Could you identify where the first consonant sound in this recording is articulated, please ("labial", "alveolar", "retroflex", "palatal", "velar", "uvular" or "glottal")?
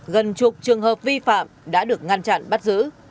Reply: velar